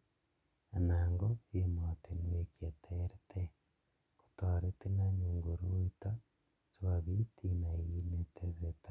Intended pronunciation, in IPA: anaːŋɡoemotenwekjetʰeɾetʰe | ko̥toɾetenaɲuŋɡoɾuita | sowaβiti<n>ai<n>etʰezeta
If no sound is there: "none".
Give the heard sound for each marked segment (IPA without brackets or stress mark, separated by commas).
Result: n, n